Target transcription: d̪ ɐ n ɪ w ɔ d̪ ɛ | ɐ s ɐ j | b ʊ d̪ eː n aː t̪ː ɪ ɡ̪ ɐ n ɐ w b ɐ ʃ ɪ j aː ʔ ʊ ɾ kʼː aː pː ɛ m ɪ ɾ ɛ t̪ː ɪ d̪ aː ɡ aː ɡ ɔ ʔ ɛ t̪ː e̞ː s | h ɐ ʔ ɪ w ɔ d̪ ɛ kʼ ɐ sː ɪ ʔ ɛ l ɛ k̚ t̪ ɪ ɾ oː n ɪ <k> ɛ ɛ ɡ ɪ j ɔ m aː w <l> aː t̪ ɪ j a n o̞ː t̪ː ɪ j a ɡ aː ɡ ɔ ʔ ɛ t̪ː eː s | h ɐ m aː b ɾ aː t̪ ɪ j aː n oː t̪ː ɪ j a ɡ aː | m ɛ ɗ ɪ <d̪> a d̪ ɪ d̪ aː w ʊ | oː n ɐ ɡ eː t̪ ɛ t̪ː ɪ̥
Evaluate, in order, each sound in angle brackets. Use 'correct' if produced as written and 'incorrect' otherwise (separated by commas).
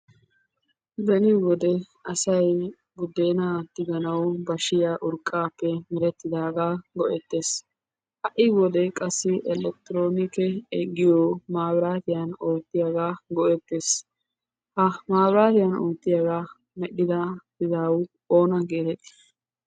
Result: correct, incorrect, correct